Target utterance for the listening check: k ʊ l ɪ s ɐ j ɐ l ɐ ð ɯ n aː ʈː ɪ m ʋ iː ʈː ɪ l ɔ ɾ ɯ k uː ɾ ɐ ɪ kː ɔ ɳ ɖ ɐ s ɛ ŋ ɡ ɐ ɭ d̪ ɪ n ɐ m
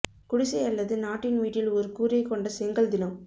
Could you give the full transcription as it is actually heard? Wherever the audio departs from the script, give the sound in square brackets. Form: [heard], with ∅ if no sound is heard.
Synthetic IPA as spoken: k ʊ [ɽ] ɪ s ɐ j ɐ [lː] ɐ ð ɯ n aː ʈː ɪ [n] ʋ iː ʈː ɪ l ɔ ɾ ɯ k uː ɾ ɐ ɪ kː ɔ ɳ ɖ ɐ s ɛ ŋ ɡ ɐ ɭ d̪ ɪ n ɐ m